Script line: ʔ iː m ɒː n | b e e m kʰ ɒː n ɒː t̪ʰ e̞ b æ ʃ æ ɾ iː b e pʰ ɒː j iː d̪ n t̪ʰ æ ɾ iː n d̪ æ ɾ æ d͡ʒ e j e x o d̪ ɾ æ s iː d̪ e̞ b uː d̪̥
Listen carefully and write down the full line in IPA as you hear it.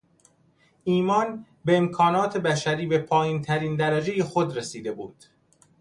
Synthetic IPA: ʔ iː m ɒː n | b e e m kʰ ɒː n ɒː t̪ʰ e̞ b æ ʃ æ ɾ iː b e pʰ ɒː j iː n t̪ʰ æ ɾ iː n d̪ æ ɾ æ d͡ʒ e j e x o d̪ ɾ e s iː d̪ e̞ b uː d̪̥